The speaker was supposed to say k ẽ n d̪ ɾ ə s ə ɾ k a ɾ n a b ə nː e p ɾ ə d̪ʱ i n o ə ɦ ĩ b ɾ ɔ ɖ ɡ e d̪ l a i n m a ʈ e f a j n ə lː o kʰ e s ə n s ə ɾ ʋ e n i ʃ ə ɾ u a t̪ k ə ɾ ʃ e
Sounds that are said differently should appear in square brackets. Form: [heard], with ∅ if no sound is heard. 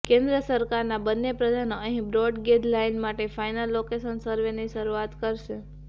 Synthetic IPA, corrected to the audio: k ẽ n d̪ ɾ ə s ə ɾ k a ɾ n a b ə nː e p ɾ ə d̪ʱ [a] n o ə ɦ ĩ b ɾ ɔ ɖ ɡ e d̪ l a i n m a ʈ e f a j n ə lː o [k] e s ə n s ə ɾ ʋ e n i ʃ ə ɾ u a t̪ k ə ɾ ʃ e